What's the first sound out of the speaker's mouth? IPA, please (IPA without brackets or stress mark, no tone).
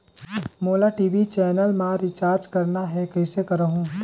m